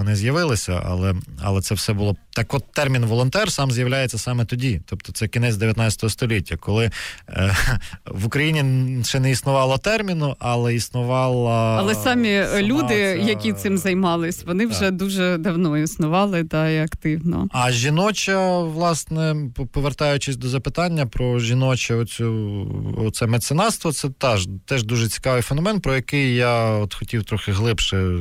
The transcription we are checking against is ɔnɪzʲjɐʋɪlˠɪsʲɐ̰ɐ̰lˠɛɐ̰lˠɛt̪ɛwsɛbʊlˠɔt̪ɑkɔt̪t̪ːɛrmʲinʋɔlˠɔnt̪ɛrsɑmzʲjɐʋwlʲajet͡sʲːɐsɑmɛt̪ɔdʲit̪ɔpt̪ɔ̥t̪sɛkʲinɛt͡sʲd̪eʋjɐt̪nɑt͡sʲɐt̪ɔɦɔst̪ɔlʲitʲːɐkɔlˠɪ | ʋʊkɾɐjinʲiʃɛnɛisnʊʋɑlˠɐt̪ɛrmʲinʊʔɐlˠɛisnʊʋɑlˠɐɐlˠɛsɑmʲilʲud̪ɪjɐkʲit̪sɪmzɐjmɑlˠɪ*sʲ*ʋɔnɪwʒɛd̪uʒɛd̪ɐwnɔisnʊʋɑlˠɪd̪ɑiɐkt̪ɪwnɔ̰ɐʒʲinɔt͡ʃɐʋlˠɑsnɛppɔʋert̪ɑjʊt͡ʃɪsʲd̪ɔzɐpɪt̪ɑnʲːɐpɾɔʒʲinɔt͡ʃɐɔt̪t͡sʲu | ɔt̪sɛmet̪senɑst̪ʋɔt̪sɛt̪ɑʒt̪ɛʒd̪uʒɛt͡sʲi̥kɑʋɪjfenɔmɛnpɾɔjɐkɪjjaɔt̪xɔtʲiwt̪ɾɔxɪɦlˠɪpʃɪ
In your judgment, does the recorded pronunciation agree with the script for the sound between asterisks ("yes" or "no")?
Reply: yes